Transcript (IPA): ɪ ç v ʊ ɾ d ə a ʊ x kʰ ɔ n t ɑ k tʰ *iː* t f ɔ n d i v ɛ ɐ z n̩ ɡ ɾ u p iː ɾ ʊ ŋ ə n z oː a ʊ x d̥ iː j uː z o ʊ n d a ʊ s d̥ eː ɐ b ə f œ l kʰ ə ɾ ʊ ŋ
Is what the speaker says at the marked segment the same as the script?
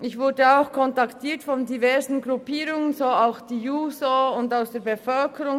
yes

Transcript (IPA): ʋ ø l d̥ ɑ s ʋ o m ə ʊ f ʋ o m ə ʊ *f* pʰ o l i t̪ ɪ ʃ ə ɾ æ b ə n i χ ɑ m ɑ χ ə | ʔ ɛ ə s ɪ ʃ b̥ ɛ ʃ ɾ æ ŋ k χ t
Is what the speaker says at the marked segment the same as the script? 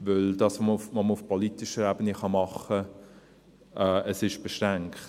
yes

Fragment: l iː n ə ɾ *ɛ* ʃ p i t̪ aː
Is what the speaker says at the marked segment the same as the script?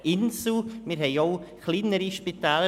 no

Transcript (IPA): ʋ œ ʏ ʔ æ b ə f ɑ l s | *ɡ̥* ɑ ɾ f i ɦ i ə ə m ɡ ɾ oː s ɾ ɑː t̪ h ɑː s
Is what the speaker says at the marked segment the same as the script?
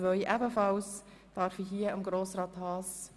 no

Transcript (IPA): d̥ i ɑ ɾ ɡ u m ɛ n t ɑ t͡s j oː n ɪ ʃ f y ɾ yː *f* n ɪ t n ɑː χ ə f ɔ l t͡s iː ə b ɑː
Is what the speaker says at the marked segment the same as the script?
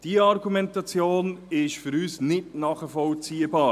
no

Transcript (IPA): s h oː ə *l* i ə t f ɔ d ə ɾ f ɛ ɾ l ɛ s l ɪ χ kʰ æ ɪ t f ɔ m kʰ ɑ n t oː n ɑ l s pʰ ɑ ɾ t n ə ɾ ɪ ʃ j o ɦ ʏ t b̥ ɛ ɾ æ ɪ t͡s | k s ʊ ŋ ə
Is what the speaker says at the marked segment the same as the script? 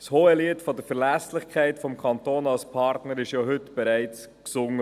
yes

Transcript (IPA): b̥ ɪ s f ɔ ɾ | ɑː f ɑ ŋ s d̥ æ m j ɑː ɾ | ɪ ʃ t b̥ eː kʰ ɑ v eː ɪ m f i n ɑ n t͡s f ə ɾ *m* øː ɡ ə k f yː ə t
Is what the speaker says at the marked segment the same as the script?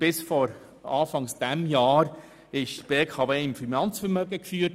yes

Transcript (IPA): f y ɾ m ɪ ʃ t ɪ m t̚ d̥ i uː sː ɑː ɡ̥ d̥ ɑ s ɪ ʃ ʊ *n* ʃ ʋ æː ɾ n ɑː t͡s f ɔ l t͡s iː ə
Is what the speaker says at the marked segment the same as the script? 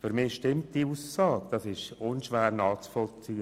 yes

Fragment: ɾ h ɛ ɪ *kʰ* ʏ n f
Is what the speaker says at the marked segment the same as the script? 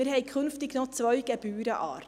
yes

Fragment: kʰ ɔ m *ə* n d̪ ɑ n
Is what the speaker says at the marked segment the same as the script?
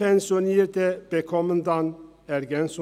yes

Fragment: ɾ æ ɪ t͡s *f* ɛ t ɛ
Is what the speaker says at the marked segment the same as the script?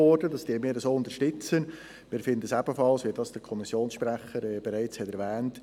no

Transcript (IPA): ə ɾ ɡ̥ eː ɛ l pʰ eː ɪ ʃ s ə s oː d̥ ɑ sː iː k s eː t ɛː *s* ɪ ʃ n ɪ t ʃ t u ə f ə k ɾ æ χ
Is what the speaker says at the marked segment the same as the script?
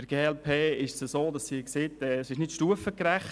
yes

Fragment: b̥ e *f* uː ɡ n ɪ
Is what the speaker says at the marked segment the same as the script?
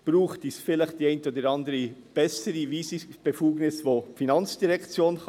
yes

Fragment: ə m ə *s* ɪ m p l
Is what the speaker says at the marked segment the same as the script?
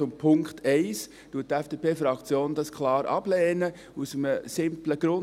yes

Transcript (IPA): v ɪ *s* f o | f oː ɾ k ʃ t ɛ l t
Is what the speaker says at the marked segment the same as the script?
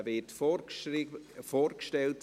no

